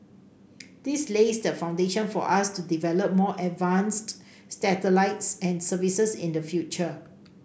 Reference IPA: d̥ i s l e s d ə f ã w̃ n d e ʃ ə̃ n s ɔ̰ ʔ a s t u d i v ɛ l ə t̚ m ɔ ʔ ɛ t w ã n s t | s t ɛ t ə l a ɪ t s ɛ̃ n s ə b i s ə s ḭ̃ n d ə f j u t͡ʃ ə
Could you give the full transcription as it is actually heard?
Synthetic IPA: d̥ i s l e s d ə f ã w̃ n d e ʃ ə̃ n f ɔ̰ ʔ a s t u d i v ɛ l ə p̚ m ɔ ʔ ɛ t v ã n s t | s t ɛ t ə l a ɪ t s ɛ̃ n s ə v i s ə s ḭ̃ n d ə f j u t͡ʃ ə

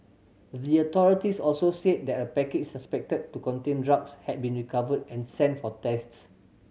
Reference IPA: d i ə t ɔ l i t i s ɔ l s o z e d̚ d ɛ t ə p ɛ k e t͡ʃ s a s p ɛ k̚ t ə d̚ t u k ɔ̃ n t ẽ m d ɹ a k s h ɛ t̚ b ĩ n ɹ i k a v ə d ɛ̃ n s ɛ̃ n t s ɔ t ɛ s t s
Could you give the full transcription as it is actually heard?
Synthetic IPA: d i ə t ɔ ɹ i t i s ɔ l s o s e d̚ d ɛ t ə p ɛ k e t͡ʃ s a s p ɛ k̚ t ə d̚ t u k ɔ̃ n t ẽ n d ɹ a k s h ɛ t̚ b ĩ n ɹ i k a v ə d ɛ̃ n s ɛ̃ n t f ɔ t ɛ s t s

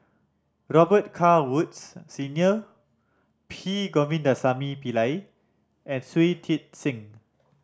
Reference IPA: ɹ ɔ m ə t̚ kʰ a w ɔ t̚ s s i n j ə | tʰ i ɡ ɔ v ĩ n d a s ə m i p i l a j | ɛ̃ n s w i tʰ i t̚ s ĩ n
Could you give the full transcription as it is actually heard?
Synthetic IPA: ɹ ɔ b ə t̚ kʰ a w u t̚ s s i n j ə | pʰ i ɡ ɔ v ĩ n d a s a m i p i l a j | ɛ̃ n s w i tʰ i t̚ s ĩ ŋ

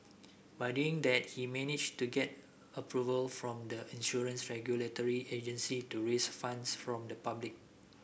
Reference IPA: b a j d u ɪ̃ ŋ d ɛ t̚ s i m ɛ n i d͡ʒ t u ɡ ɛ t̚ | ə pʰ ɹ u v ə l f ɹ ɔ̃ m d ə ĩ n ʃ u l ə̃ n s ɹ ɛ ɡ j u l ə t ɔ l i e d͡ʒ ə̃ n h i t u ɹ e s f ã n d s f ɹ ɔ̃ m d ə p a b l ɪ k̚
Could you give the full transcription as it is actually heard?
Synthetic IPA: b a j d u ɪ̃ ŋ d ɛ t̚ h i m ɛ n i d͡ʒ t u ɡ ɛ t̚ | ə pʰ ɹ u v ə l f ɹ ɔ̃ m d ə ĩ n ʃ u ɹ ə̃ n s ɹ ɛ ɡ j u l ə t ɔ ɹ i e d͡ʒ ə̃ n s i t u ɹ e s f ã n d s f ɹ ɔ̃ m d ə p a b l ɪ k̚

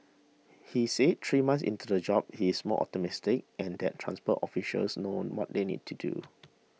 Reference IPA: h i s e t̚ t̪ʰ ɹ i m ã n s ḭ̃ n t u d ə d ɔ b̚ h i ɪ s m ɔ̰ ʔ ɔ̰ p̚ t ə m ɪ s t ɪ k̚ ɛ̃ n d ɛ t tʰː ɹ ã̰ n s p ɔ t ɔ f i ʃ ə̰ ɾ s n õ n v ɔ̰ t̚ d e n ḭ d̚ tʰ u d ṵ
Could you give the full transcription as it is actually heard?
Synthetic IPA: h i s e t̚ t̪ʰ ɹ i m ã n s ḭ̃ n t u d ə d͡ʒ ɔ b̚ h i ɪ s m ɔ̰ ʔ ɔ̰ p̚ t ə m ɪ s t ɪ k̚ ɛ̃ n d ɛ t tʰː ɹ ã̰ n s p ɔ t ɔ f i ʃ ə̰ l s n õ n w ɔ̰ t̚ d e n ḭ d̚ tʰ u d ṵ

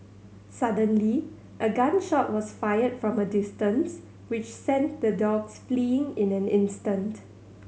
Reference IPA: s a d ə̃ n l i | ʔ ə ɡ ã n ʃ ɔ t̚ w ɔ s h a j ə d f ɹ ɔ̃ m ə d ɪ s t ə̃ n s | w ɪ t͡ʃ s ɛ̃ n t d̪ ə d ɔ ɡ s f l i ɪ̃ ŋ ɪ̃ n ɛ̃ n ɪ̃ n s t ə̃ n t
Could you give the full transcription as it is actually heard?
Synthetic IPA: s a d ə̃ n l i | ʔ ə ɡ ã n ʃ ɔ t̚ w ɔ s f a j ə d f ɹ ɔ̃ m ə d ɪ s t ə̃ n s | w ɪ t͡ʃ s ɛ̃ n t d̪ ə d ɔ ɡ s f l i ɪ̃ ŋ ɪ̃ n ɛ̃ n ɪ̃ n s t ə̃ n t

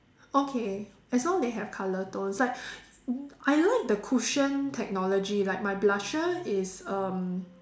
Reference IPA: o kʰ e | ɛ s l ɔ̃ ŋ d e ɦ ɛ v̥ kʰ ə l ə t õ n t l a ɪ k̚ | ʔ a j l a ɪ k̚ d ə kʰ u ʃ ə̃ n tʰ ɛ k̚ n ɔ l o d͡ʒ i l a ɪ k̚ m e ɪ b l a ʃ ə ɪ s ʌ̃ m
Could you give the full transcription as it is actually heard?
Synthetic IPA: o kʰ e | ɛ s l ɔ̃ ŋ d e ɦ ɛ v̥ kʰ a l ə t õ n s l a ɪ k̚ | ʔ a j l a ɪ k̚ d ə kʰ u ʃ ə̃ n tʰ ɛ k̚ n ɔ l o d͡ʒ i l a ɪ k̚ m a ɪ b l a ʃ ə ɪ s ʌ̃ m

